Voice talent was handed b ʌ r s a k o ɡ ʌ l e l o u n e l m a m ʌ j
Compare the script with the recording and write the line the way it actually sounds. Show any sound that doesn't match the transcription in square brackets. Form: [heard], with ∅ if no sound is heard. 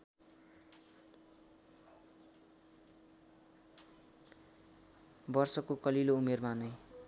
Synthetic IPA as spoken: b ʌ r s [ʌ] k o [k] ʌ l [i] l o u [m] e [r] m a [n] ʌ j